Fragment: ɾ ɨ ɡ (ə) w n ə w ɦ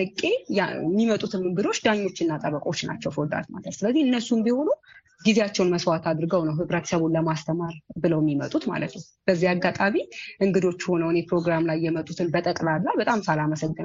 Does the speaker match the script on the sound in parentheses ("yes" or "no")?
yes